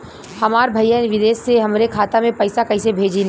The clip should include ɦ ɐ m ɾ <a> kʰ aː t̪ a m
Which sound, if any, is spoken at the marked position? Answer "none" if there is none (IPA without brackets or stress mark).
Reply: e